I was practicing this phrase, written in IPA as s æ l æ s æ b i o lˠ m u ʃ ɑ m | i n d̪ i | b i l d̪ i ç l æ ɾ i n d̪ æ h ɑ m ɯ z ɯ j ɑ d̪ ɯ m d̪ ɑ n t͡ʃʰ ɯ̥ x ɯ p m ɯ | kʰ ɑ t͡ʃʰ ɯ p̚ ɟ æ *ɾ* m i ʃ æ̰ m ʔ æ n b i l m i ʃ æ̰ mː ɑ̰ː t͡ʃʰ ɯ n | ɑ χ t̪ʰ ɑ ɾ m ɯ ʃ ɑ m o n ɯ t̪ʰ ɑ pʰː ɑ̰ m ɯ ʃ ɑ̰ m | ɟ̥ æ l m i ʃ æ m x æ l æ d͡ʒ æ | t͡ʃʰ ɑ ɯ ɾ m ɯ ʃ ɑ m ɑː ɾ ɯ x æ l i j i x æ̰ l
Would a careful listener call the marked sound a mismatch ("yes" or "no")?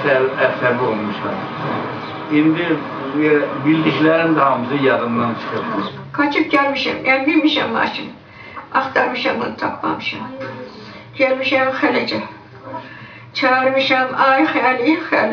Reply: yes